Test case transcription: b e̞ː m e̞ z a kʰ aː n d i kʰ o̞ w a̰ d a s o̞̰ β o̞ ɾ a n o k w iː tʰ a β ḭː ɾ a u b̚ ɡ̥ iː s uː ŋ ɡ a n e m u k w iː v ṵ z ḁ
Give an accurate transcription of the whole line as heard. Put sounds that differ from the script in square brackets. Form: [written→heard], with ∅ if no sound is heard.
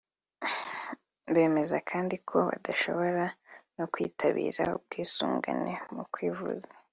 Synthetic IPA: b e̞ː m e̞ z a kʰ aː n d i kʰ o̞ [w→β] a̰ d a [s→ʃ] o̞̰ β o̞ ɾ a n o k w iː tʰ a β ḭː ɾ a u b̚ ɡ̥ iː s uː ŋ ɡ a n e m u k w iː v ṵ z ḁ